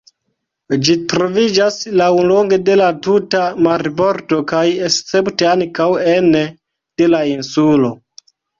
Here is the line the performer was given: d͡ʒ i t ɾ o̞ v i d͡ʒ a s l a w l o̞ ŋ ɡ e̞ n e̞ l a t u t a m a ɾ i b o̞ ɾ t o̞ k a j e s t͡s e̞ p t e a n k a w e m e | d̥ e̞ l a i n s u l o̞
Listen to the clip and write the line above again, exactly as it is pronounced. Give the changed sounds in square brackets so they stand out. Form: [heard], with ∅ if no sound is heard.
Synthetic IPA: d͡ʒ i t ɾ o̞ v i d͡ʒ a s l a w l o̞ ŋ ɡ e̞ [d] e̞ l a t u t a m a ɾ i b o̞ ɾ t o̞ k a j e s t͡s e̞ p t e a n k a w e [n] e | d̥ e̞ l a i n s u l o̞